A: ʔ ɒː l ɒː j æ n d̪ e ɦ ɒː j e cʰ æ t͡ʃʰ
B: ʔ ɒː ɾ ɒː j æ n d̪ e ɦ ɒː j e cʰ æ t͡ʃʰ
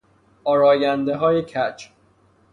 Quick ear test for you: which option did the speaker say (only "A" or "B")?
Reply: B